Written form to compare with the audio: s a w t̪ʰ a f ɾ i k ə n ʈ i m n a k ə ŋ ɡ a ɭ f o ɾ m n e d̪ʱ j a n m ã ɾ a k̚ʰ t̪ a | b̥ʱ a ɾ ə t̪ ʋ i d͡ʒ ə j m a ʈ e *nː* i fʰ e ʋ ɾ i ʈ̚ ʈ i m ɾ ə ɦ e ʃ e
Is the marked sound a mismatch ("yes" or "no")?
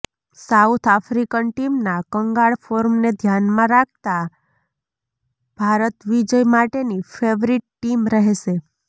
yes